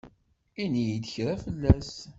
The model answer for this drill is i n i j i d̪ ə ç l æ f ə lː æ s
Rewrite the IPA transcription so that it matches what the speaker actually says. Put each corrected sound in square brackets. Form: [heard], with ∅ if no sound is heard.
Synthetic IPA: i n i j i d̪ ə ç [ɾ] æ f ə lː æ s